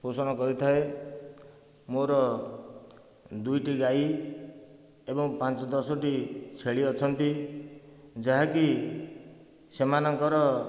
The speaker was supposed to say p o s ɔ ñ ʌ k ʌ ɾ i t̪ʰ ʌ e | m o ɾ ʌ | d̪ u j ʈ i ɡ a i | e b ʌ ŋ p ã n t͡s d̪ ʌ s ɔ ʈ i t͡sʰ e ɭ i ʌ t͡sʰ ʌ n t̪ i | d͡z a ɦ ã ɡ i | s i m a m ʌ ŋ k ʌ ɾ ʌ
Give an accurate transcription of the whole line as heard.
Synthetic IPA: p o s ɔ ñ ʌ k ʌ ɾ i t̪ʰ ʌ e | m o ɾ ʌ | d̪ u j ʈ i ɡ a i | e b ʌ ŋ p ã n t͡s d̪ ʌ s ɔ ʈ i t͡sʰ e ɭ i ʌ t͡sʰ ʌ n t̪ i | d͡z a ɦ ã k i | s e m a n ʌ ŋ k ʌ ɾ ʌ